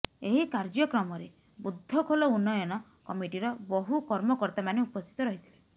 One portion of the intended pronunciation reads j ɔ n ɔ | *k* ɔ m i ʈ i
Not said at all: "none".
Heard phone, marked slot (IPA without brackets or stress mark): k